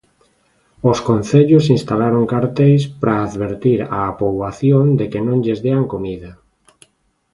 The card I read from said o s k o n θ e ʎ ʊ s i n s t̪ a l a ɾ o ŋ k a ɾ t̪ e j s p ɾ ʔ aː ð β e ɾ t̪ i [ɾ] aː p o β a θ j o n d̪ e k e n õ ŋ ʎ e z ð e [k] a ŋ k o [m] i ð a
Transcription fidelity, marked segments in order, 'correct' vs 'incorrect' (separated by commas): correct, incorrect, correct